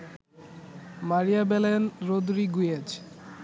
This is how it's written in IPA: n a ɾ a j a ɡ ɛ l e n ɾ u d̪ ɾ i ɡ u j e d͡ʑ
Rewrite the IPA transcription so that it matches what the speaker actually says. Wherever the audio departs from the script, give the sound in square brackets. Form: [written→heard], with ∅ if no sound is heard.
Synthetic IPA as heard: [n→m] a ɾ [a→i] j a [ɡ→b] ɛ l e n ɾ [u→o] d̪ ɾ i ɡ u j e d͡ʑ